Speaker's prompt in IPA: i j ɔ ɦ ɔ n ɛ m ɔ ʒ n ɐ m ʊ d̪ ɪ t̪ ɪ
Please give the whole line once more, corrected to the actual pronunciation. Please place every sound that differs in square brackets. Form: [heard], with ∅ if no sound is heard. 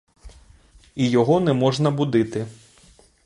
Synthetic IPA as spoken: i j ɔ ɦ ɔ n ɛ m ɔ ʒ n ɐ [b] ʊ d̪ ɪ t̪ ɪ